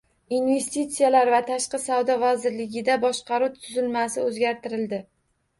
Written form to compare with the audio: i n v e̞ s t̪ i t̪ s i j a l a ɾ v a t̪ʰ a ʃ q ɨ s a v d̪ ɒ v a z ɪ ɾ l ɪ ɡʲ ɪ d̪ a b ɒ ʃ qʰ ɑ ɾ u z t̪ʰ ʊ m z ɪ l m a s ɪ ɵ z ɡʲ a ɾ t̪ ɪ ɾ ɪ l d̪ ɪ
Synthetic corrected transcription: i n v e̞ s t̪ i t̪ s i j a l a ɾ v a t̪ʰ a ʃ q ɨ s a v d̪ ɒ v a z ɪ ɾ l ɪ ɡʲ ɪ d̪ a b ɒ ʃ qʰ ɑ ɾ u t̪ʰ ʊ z ɪ l m a s ɪ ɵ z ɡʲ a ɾ t̪ ɪ ɾ ɪ l d̪ ɪ

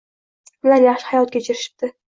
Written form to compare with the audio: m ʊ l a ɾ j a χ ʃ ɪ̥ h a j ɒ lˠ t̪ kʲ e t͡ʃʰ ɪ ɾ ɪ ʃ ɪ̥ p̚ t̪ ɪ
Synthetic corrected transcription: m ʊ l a ɾ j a χ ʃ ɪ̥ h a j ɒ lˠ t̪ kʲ e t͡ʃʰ ɪ ɾ ɪ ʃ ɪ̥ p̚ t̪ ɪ

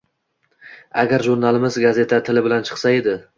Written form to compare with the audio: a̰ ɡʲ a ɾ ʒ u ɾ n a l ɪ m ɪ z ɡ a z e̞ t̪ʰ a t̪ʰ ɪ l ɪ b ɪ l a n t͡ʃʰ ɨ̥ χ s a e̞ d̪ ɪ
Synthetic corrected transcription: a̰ ɡʲ a ɾ ʒ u ɾ n a l ɪ m ɪ z ɡ a z e̞ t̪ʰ a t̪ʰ ɪ l ɪ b ɪ l a n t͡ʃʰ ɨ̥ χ s a e̞ d̪ ɪ

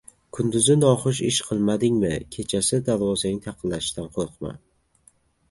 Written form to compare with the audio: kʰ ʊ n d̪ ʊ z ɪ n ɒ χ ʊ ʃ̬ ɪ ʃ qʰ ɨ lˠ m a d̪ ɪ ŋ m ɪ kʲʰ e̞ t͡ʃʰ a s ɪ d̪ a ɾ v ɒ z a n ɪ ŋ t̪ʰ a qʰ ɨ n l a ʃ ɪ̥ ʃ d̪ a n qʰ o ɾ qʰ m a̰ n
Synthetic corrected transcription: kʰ ʊ n d̪ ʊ z ɪ n ɒ χ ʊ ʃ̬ ɪ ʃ qʰ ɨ lˠ m a d̪ ɪ ŋ m ɪ kʲʰ e̞ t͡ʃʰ a s ɪ d̪ a ɾ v ɒ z a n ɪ ŋ t̪ʰ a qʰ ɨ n l a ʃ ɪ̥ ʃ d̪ a n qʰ o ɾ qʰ m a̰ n

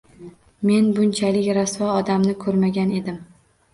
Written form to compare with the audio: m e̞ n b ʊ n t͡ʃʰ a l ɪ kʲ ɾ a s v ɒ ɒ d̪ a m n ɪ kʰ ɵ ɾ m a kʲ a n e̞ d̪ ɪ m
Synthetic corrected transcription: m e̞ n b ʊ n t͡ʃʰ a l ɪ kʲ ɾ a s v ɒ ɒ d̪ a m n ɪ kʰ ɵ ɾ m a ɡʲ a n e̞ d̪ ɪ m

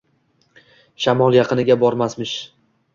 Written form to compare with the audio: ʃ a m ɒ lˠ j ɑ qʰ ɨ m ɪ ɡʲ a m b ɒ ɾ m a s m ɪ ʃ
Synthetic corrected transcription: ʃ a m ɒ lˠ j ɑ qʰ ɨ n ɪ ɡʲ a b ɒ ɾ m a s m ɪ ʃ

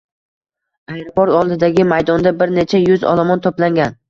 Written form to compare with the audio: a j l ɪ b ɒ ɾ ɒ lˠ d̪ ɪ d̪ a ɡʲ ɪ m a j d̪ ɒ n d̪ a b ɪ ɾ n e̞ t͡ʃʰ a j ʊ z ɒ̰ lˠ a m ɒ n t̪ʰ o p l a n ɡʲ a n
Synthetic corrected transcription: a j ɾ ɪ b ɒ ɾ ɒ lˠ d̪ ɪ d̪ a ɡʲ ɪ m a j d̪ ɒ n d̪ a b ɪ ɾ n e̞ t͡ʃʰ a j ʊ z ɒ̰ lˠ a m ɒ n t̪ʰ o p l a ŋ ɡʲ a n

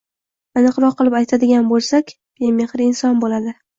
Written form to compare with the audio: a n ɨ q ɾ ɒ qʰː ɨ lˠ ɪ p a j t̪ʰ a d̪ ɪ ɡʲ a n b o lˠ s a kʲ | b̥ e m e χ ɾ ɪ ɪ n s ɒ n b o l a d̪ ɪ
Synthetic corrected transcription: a n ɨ q ɾ ɒ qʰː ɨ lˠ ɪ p a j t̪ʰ a d̪ ɪ ɡʲ a n b o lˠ s a kʲ | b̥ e m e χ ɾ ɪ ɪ n s ɒ n b o l a d̪ ɪ

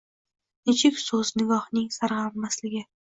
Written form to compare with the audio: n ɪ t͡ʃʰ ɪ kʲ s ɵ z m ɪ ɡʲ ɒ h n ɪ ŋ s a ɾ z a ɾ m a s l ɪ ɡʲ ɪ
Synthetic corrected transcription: n ɪ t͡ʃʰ ɪ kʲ s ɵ z n ɪ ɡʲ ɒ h n ɪ ŋ s a ɾ ʁ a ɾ m a s l ɪ ɡʲ ɪ

